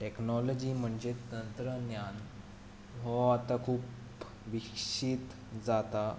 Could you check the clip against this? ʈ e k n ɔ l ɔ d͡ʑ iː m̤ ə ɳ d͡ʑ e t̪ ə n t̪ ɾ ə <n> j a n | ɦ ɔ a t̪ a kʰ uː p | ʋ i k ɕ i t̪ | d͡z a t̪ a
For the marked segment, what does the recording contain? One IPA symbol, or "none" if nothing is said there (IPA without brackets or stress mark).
n